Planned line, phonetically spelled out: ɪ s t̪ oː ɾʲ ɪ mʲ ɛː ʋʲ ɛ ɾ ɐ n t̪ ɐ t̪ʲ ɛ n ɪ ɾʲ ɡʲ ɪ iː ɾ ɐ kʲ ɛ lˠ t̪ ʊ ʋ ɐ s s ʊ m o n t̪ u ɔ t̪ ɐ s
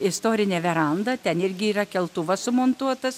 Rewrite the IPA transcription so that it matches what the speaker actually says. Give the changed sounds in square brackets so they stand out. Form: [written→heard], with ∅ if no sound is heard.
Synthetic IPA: ɪ s t̪ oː ɾʲ ɪ [mʲ→nʲ] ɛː ʋʲ ɛ ɾ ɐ n [t̪→d̪] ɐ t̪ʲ ɛ n ɪ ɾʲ ɡʲ ɪ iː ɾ ɐ kʲ ɛ lˠ t̪ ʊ ʋ ɐ s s ʊ m o n t̪ u ɔ t̪ ɐ s